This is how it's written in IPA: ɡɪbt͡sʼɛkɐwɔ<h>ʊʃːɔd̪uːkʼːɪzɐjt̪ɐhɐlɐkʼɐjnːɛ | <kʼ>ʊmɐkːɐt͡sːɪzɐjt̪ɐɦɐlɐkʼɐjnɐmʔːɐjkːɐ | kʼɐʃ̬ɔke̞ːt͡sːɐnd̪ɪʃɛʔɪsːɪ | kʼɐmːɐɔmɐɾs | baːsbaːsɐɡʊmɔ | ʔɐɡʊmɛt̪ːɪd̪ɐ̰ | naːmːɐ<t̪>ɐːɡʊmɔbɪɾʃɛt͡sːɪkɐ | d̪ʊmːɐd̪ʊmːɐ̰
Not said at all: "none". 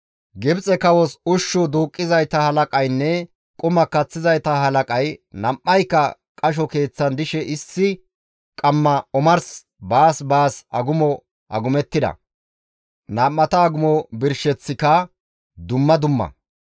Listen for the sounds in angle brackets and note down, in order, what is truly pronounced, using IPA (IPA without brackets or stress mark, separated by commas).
s, kʼ, t̪